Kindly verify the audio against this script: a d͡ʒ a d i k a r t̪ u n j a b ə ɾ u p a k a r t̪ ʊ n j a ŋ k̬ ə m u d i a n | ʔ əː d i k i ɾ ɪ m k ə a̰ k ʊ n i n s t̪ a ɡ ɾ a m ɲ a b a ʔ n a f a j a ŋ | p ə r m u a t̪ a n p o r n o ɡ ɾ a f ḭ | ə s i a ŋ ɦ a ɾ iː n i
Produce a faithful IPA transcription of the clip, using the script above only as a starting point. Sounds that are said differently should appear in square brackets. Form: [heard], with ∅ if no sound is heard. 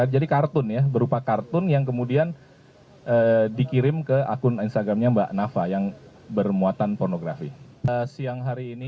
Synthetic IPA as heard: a d͡ʒ a d i k a r t̪ [ʊ] n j a b ə ɾ u p a k a r t̪ ʊ n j a ŋ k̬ ə m u d i a n | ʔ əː d i k i ɾ ɪ m k ə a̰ k ʊ n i n s t̪ a ɡ ɾ a m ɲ a b a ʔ n a f a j a ŋ | [b] ə r m u a t̪ a n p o r n o ɡ ɾ a f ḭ | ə s i a ŋ ɦ a ɾ iː n i